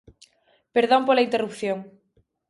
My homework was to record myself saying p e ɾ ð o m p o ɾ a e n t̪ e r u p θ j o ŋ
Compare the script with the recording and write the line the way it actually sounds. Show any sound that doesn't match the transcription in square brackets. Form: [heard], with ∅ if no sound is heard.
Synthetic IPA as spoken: p e ɾ ð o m p o [l] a [i] n t̪ e r u p θ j o ŋ